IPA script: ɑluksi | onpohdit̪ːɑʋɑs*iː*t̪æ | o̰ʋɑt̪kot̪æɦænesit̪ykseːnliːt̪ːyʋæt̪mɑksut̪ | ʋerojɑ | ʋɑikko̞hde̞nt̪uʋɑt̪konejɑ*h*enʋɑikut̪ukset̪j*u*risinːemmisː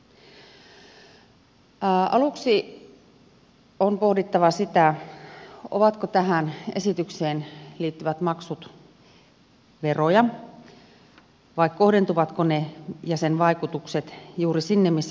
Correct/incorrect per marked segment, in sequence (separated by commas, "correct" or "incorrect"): incorrect, incorrect, incorrect